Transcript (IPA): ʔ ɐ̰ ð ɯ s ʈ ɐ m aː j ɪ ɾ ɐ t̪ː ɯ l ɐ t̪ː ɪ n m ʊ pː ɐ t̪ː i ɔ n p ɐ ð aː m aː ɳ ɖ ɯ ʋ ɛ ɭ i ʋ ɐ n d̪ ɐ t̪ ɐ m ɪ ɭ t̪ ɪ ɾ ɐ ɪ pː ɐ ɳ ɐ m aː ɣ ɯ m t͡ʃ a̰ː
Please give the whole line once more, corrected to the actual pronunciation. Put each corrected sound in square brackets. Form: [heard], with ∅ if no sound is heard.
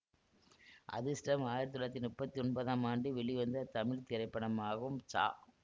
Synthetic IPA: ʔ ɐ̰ ð ɯ s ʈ ɐ m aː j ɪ ɾ ɐ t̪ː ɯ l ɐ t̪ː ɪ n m ʊ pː ɐ t̪ː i ɔ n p ɐ ð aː m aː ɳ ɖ ɯ ʋ ɛ ɭ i ʋ ɐ n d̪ ɐ t̪ ɐ m ɪ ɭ t̪ ɪ ɾ ɐ ɪ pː ɐ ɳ ɐ m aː ɣ ɯ m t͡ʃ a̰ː